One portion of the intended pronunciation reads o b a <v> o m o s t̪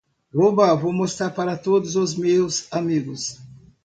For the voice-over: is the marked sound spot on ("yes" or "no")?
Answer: yes